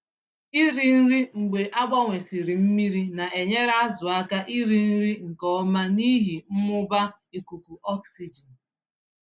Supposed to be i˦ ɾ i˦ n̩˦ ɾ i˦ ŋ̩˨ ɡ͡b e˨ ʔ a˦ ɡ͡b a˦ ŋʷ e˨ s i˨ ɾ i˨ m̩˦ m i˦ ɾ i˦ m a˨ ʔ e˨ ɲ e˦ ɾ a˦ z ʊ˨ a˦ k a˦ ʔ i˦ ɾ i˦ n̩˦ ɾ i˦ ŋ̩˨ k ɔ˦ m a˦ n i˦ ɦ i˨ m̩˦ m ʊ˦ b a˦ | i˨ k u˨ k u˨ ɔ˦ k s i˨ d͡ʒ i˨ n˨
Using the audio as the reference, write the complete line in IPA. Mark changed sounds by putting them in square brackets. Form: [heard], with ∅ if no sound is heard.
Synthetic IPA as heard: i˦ ɾ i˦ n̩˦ ɾ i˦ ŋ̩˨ ɡ͡b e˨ ʔ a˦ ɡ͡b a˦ ŋʷ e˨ s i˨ ɾ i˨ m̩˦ m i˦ ɾ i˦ [n] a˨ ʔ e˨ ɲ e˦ ɾ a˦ z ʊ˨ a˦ k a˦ ʔ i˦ ɾ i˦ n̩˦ ɾ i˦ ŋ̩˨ k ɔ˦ m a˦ n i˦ ɦ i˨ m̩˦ m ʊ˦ b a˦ | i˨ k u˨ k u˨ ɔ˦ k s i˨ d͡ʒ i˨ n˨